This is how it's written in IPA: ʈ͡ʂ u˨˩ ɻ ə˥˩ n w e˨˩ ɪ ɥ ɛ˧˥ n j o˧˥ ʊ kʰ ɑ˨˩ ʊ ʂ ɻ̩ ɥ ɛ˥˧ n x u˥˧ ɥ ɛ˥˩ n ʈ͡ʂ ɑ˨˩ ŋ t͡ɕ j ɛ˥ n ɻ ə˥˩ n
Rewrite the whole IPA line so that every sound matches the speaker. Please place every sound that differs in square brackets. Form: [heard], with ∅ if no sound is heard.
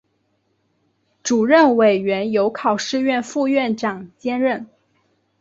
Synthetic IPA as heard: ʈ͡ʂ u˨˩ ɻ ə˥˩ n w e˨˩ ɪ ɥ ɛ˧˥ n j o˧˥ ʊ kʰ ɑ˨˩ ʊ ʂ ɻ̩ ɥ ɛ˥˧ n [f] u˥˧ ɥ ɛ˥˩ n ʈ͡ʂ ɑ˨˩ ŋ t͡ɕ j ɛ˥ n ɻ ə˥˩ n